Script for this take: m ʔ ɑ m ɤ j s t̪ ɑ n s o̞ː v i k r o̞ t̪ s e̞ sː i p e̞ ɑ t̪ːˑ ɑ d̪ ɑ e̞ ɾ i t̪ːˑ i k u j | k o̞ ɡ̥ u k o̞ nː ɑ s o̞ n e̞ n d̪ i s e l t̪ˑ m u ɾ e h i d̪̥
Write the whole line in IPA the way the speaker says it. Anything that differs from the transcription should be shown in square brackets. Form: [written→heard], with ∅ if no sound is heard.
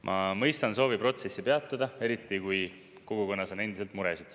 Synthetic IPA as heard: m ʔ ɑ m ɤ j s t̪ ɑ n s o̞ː v i [k→p] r o̞ t̪ s e̞ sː i p e̞ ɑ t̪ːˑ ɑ d̪ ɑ e̞ ɾ i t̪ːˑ i k u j | k o̞ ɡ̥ u k o̞ nː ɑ s o̞ n e̞ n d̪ i s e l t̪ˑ m u ɾ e [h→s] i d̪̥